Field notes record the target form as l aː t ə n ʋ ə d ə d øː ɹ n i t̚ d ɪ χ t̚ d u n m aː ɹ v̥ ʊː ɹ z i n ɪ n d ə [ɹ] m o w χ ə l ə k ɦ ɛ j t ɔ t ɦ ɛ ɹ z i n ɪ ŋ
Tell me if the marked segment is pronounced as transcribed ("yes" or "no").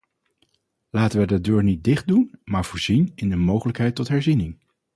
no